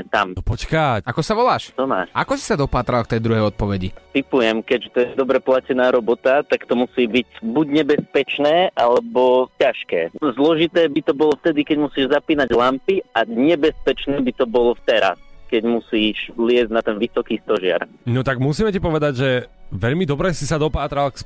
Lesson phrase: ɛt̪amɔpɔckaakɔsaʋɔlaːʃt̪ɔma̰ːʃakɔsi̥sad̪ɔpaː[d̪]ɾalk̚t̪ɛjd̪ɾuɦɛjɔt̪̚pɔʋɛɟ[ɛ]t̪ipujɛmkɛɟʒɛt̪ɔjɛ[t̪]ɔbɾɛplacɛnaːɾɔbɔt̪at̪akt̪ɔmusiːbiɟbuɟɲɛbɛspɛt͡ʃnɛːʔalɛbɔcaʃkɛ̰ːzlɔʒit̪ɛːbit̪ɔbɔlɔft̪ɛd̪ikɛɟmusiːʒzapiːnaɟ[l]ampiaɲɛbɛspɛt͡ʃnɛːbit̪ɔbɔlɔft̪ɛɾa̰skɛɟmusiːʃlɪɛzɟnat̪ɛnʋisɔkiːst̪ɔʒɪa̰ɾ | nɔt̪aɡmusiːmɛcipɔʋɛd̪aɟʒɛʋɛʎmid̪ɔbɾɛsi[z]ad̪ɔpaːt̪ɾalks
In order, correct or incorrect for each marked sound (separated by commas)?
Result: incorrect, incorrect, incorrect, correct, incorrect